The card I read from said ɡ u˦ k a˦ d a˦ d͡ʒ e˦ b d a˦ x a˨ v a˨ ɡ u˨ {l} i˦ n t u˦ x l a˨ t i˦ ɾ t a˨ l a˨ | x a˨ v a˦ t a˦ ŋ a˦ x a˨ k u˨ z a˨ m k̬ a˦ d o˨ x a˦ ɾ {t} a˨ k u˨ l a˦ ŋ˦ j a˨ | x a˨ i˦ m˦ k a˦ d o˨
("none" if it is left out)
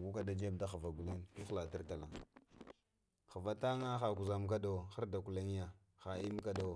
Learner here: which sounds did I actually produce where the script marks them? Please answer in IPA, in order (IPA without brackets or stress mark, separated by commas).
l, d